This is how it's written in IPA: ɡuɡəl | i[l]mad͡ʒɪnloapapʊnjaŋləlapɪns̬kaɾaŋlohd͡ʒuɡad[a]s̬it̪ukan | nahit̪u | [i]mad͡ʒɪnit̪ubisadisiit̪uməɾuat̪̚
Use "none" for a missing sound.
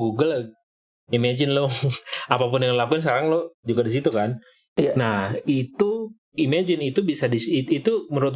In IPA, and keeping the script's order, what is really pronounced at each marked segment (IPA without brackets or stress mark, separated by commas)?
none, i, i